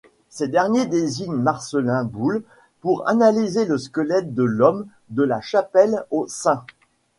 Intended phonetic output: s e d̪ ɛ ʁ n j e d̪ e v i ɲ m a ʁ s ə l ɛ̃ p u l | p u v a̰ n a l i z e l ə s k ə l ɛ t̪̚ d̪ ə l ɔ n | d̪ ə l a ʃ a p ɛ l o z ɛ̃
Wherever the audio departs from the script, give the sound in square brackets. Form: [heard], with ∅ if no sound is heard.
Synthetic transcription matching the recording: s e d̪ ɛ ʁ n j e d̪ e [z] i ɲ m a ʁ s ə l ɛ̃ [b] u l | p u [ʁ] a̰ n a l i z e l ə s k ə l ɛ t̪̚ d̪ ə l ɔ [m] | d̪ ə l a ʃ a p ɛ l o [s] ɛ̃